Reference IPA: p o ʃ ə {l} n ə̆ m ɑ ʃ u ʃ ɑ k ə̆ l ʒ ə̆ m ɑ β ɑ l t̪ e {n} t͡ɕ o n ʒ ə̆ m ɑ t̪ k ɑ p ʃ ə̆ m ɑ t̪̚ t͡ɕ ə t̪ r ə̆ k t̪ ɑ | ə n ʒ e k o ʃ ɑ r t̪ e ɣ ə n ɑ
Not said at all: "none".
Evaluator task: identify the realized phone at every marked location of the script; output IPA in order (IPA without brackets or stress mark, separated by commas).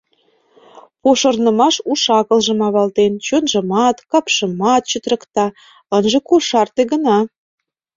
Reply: r, n